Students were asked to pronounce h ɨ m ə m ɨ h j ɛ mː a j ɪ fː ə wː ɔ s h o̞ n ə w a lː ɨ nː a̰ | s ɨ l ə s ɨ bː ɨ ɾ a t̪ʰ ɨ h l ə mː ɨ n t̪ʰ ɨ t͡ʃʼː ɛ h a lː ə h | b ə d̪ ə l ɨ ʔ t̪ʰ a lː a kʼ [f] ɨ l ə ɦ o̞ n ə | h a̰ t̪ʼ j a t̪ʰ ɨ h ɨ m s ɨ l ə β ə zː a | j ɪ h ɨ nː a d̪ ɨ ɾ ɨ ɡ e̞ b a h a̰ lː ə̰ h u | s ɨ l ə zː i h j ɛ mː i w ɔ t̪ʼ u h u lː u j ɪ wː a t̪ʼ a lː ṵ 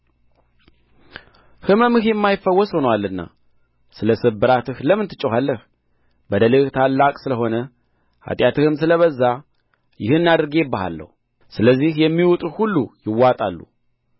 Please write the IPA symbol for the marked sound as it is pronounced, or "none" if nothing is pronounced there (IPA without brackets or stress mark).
s